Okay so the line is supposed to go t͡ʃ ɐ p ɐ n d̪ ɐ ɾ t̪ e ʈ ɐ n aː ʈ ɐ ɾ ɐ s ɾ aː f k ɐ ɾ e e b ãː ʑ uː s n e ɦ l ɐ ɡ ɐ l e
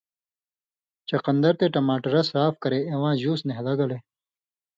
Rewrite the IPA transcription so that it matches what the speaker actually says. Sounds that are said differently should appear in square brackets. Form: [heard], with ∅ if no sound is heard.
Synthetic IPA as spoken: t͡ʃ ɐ [q] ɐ n d̪ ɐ ɾ t̪ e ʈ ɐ [m] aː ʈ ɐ ɾ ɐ s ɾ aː f k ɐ ɾ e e [w] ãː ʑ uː s n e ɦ l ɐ ɡ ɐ l e